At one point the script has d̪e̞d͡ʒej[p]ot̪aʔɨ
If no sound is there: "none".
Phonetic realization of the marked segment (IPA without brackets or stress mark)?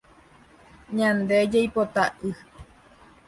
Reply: p